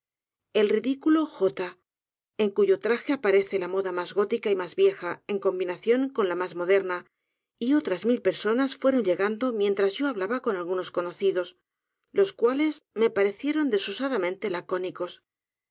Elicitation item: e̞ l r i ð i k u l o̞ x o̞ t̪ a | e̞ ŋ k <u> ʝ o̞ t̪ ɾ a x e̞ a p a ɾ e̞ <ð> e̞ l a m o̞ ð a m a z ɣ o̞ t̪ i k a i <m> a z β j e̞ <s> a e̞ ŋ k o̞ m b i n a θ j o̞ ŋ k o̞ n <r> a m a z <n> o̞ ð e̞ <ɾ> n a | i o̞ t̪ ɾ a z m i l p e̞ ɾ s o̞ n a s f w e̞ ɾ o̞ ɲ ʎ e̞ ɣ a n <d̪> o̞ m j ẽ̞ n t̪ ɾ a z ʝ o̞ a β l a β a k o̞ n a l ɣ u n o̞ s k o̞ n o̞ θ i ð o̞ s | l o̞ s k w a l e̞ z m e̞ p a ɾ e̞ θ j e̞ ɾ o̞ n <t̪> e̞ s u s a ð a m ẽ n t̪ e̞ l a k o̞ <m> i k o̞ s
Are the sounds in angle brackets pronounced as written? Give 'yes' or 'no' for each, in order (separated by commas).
yes, no, yes, no, no, no, yes, yes, no, no